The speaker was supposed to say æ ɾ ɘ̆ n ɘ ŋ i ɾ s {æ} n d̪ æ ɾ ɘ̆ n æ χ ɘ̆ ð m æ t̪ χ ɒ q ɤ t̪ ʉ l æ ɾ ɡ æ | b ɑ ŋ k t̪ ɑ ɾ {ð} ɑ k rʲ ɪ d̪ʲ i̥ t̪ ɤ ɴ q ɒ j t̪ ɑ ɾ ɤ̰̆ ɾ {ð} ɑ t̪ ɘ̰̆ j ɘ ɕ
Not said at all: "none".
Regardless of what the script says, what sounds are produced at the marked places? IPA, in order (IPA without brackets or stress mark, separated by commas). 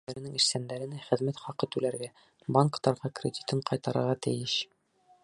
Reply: æ, ʁ, ʁ